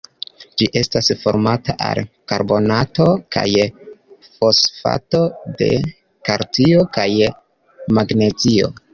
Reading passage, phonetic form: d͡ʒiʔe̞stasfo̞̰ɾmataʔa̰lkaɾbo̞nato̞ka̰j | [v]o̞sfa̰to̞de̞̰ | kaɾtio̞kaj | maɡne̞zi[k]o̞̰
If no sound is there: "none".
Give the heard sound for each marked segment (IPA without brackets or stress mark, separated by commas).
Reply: f, none